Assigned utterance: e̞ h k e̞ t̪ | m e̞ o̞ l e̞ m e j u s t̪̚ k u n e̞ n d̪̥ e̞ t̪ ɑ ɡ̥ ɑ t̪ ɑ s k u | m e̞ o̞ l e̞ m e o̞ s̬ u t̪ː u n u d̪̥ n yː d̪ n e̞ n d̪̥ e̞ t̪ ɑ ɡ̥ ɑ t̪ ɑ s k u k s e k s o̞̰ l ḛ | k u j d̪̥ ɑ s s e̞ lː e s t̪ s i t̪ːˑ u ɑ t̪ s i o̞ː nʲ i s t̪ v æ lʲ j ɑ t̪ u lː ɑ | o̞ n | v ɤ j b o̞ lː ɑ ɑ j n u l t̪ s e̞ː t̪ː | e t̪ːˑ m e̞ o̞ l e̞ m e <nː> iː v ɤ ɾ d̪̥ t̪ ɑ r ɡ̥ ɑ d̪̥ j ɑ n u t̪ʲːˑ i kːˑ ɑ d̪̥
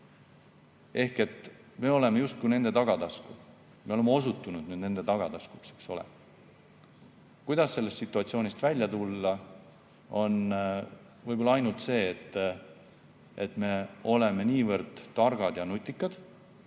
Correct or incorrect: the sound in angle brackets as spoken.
incorrect: n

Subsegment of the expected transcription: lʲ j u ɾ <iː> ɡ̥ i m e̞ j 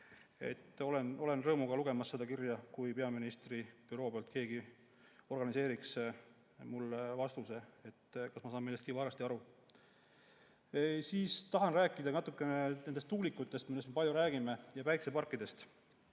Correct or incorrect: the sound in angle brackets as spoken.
incorrect: æː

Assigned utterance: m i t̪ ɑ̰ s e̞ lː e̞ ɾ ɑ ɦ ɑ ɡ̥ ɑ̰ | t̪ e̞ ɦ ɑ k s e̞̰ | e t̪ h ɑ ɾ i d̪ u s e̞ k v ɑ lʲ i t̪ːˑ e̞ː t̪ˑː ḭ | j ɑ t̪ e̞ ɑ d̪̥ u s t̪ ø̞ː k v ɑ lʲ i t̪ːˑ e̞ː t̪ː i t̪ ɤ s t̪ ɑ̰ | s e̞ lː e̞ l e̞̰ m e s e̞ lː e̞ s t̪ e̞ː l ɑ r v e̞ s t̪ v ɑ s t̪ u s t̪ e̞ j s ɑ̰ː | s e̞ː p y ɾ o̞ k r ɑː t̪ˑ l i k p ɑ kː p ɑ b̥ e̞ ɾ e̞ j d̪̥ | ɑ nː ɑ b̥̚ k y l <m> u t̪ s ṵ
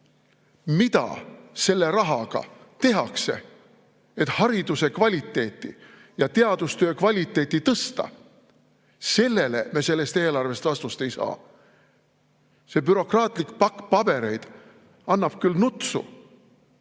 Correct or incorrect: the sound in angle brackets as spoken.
incorrect: n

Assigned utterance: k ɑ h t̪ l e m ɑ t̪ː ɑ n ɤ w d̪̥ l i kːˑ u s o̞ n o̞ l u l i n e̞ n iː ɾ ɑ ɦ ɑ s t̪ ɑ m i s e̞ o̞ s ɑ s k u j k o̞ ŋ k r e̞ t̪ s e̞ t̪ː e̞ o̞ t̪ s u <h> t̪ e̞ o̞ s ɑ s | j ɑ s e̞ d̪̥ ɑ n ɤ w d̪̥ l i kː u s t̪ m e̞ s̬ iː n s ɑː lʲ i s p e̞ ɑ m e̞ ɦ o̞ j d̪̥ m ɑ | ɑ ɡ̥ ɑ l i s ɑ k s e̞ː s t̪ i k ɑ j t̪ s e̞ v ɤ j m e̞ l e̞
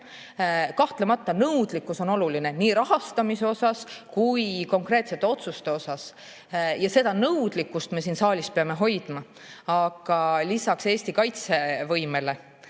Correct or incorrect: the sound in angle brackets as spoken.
incorrect: s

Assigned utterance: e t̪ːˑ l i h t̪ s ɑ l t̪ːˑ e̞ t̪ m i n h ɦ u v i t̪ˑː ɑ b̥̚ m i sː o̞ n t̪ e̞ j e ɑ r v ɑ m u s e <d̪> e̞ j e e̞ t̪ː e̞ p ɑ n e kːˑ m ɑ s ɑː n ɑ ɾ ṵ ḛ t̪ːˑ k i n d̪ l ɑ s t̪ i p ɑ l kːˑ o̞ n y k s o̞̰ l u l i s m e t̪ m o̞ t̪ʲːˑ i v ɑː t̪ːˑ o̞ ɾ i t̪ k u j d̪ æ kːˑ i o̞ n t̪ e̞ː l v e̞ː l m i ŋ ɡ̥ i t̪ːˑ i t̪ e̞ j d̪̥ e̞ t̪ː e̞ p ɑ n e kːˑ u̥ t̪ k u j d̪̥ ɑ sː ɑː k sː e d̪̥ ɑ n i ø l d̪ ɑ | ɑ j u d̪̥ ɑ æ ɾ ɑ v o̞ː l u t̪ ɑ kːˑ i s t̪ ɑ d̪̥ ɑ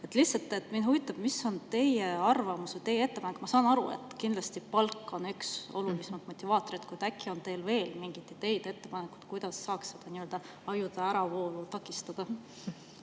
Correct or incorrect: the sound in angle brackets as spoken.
incorrect: t̪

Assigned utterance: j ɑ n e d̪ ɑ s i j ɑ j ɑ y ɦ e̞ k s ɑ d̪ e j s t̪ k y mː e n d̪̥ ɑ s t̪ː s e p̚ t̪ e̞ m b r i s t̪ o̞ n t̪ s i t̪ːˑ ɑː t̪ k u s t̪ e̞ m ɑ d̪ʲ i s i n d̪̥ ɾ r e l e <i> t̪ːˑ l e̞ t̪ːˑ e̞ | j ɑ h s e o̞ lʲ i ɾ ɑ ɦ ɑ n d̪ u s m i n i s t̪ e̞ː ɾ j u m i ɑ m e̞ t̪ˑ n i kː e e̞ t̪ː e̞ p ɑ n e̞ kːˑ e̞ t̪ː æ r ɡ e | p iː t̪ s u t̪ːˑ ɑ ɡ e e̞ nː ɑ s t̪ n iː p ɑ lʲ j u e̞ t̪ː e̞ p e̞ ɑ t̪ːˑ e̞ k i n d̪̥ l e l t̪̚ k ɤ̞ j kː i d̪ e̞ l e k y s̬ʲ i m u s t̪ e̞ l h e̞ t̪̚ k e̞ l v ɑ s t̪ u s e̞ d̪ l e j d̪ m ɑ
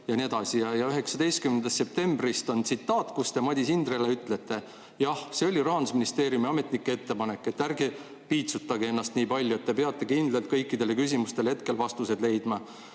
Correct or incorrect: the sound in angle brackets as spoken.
incorrect: y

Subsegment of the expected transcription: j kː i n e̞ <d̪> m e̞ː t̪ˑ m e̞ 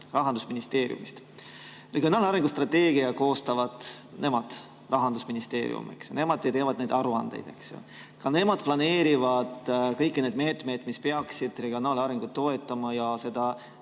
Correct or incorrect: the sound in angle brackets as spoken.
correct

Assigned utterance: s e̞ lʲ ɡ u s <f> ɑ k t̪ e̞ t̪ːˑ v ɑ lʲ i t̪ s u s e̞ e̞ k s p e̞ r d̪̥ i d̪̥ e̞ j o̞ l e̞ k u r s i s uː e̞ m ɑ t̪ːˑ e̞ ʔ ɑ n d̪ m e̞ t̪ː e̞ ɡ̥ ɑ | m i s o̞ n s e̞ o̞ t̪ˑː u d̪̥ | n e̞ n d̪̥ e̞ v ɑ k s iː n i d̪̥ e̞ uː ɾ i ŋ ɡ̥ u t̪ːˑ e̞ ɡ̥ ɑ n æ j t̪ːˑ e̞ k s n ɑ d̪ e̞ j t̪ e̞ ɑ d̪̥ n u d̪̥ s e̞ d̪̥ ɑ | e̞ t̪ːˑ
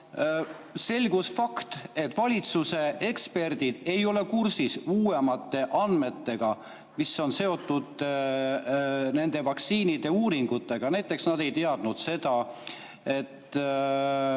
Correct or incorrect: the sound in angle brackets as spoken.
correct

